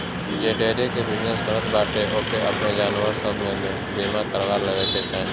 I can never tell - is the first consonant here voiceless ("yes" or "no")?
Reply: no